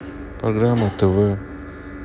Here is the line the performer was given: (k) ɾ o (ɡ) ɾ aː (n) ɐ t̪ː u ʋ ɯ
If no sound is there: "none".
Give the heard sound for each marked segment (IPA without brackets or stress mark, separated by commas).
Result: p, ɡ, m